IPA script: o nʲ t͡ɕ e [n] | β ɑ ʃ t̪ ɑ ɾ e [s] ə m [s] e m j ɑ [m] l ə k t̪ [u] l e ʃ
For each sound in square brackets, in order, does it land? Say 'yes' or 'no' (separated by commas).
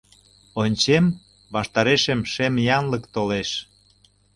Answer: no, no, no, no, no